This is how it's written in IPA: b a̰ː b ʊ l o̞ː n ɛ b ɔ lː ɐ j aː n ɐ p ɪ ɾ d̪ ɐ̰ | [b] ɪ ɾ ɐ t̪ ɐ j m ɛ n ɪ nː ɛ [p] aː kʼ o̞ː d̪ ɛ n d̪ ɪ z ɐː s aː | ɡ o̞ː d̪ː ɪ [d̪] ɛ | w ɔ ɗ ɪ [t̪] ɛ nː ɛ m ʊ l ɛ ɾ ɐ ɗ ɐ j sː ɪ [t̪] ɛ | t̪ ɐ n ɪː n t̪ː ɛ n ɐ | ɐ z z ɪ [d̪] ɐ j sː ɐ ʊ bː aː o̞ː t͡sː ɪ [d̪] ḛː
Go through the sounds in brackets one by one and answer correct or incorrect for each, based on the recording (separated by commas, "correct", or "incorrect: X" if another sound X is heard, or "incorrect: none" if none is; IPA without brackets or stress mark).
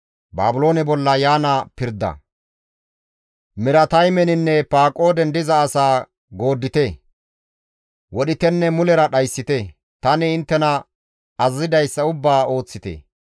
incorrect: m, correct, incorrect: t̪, correct, correct, correct, incorrect: t̪